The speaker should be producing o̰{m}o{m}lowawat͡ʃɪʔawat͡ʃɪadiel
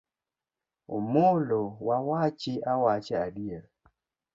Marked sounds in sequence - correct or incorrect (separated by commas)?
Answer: correct, incorrect